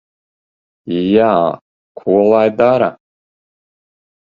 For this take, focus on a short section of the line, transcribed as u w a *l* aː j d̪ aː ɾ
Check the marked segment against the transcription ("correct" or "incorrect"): correct